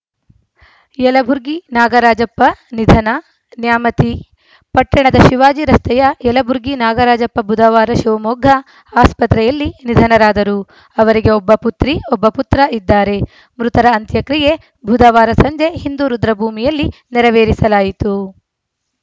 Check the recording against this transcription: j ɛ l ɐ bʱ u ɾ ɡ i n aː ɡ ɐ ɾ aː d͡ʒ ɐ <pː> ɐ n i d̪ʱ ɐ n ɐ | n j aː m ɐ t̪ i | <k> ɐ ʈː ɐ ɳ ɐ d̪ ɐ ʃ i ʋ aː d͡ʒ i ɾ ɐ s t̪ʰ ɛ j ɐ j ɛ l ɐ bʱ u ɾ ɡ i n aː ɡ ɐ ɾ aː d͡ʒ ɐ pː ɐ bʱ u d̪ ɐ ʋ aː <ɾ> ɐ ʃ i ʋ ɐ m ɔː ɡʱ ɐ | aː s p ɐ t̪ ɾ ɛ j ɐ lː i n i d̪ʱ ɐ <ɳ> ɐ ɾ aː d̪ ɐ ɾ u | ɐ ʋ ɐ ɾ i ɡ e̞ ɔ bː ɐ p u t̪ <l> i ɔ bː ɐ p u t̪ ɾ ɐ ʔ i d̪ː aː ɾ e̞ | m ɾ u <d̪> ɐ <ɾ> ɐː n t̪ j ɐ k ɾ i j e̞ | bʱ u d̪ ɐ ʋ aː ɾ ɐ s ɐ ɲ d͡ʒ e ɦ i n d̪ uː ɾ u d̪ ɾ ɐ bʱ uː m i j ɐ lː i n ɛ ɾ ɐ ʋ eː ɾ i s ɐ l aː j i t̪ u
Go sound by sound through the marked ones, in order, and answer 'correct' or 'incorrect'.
correct, incorrect: p, correct, incorrect: n, incorrect: ɾ, incorrect: t̪, correct

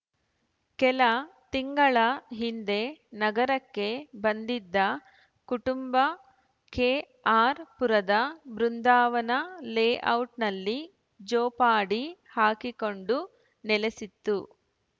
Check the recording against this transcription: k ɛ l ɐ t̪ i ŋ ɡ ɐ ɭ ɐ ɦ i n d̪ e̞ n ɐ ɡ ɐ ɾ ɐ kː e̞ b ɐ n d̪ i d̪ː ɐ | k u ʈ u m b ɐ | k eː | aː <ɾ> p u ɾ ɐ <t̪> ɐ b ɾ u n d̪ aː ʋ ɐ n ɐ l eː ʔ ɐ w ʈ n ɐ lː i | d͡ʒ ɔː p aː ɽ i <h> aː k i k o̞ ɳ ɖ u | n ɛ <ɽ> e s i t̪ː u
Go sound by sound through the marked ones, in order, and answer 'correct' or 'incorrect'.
correct, incorrect: d̪, correct, incorrect: l

